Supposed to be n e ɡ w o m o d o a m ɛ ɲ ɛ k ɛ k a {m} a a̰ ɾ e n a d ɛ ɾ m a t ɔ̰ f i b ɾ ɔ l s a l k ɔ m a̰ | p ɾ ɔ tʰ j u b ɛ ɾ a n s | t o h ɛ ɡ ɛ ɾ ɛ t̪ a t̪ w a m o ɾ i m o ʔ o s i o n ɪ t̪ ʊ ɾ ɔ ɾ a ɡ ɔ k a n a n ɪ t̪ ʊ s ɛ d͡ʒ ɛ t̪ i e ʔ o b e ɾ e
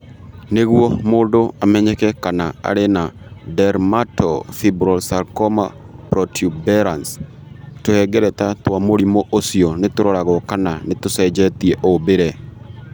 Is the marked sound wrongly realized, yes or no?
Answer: yes